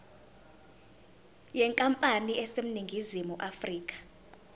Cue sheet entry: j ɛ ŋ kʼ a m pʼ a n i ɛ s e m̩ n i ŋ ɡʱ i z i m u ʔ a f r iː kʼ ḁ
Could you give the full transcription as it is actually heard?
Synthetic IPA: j ɛ ŋ kʼ a m pʼ a n i ɛ s e m̩ n i ŋ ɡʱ i z i m u ʔ a f r iː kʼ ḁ